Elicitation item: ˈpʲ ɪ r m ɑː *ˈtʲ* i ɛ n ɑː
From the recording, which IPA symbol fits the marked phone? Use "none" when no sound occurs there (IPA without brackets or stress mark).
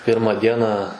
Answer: dʲ